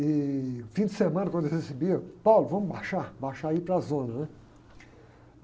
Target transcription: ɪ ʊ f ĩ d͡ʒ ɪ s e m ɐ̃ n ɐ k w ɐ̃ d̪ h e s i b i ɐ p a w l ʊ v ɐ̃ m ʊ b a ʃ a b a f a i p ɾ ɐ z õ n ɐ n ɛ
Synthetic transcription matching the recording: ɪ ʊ f ĩ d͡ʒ ɪ s e m ɐ̃ n ɐ k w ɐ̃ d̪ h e s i b i ɐ p a w l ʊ v ɐ̃ m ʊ b a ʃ a b a ʃ a i p ɾ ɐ z õ n ɐ n ɛ